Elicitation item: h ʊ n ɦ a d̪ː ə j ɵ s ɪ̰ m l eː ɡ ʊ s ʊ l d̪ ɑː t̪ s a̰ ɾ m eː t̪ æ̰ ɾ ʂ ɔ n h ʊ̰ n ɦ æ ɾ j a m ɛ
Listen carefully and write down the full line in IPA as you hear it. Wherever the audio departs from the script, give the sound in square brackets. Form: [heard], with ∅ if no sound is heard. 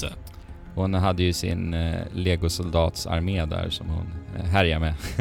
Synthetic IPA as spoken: h ʊ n ɦ a d̪ː ə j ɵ s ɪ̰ [n] l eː ɡ ʊ s ʊ l d̪ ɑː t̪ s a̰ ɾ m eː [d̪] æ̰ ɾ ʂ ɔ [m] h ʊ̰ n ɦ æ ɾ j a m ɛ